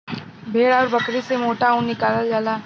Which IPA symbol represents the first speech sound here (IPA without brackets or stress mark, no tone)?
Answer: bʱ